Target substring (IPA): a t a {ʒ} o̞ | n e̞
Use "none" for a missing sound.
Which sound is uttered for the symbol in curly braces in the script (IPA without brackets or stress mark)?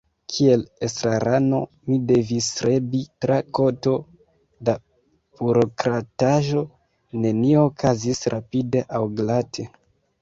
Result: ʒ